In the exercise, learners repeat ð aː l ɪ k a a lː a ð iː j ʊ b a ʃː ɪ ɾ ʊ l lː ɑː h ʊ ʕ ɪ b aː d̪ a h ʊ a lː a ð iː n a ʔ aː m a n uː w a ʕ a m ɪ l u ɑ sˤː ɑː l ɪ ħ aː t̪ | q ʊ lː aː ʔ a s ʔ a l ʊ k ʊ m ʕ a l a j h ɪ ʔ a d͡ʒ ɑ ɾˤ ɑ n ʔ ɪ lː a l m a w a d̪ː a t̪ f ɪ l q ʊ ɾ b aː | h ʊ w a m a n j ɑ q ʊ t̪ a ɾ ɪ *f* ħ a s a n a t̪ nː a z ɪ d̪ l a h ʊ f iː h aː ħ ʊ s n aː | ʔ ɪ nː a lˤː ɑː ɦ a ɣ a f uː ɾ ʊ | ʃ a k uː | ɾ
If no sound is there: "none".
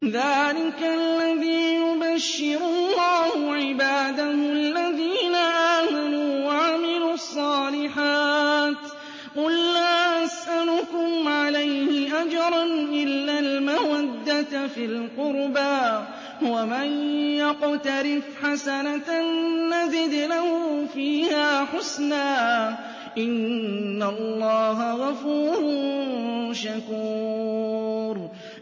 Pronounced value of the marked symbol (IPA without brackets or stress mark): f